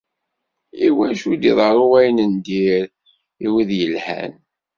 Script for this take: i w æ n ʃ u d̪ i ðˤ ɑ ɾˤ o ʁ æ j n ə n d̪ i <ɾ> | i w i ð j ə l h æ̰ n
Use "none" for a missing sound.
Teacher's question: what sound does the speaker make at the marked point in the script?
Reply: ɾ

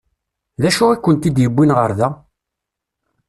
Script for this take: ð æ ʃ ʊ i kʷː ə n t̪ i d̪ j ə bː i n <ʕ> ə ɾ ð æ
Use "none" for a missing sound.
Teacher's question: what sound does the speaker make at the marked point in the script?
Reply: ʁ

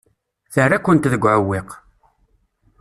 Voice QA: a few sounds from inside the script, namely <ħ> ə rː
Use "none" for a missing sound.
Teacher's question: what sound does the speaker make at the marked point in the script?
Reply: θ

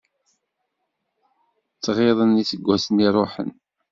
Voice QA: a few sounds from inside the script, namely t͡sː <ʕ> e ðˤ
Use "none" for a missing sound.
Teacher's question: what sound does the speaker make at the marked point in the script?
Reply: ʁ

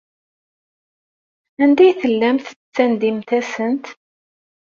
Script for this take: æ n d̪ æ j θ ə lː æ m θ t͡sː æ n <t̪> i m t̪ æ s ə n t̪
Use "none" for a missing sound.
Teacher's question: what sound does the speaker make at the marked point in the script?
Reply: d̪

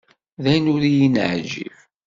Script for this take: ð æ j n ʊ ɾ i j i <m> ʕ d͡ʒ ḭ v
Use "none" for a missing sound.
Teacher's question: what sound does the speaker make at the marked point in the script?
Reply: n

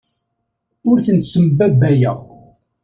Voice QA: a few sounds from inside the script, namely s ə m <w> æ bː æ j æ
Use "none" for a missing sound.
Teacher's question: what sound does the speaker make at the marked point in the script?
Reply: b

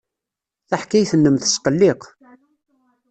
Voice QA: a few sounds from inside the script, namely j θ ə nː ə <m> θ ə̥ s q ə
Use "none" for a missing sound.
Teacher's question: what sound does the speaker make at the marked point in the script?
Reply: m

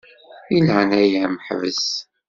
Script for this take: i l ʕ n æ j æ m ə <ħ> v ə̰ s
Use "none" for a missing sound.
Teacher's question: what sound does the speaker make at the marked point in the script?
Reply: ħ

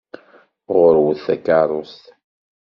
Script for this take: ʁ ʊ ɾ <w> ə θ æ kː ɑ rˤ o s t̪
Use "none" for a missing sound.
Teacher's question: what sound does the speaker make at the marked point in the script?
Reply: w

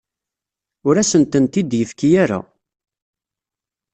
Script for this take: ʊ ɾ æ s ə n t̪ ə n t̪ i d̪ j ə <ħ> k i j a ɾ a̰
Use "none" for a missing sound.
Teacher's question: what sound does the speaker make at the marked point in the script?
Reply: f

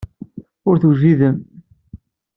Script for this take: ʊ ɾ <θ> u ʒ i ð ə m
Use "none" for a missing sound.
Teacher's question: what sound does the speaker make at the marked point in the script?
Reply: θ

